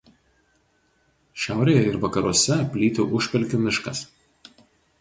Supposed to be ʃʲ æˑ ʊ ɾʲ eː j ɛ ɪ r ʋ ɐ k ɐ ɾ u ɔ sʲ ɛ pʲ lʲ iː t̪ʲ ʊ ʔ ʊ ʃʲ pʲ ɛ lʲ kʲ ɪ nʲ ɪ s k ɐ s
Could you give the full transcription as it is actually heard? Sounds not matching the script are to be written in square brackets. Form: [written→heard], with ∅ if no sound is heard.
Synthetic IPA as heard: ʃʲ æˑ ʊ ɾʲ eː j ɛ ɪ [r→ɾ] ʋ ɐ k ɐ ɾ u ɔ sʲ ɛ pʲ lʲ iː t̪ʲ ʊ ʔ ʊ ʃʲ pʲ ɛ lʲ kʲ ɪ [nʲ→mʲ] ɪ [s→ʃ] k ɐ s